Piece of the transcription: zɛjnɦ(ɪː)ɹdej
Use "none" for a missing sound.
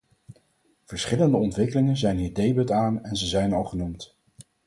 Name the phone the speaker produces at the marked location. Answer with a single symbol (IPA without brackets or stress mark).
iː